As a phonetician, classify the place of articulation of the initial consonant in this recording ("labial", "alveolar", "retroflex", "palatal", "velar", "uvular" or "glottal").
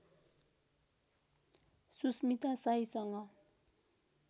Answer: alveolar